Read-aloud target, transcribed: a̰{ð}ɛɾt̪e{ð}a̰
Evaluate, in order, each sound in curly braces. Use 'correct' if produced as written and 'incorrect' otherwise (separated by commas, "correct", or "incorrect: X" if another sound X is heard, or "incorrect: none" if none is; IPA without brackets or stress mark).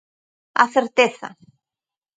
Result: incorrect: θ, incorrect: θ